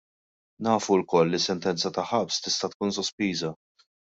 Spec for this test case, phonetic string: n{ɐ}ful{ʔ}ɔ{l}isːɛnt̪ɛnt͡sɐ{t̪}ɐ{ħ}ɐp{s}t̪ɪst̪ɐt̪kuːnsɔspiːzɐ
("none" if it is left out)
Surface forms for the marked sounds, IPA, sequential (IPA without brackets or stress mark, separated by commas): ɐː, k, lː, t̪, ħ, s